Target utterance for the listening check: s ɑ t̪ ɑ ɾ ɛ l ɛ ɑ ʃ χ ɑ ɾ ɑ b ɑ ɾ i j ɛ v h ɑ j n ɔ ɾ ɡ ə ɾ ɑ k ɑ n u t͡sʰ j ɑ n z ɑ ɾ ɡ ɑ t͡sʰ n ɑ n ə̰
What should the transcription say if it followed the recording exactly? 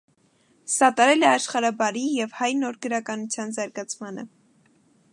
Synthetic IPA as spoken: s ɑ t̪ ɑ ɾ ɛ l ɛ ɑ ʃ χ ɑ ɾ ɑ b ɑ ɾ i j ɛ v h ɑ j n ɔ ɾ ɡ ə ɾ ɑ k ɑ n u t͡sʰ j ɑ n z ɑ ɾ ɡ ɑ t͡sʰ m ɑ n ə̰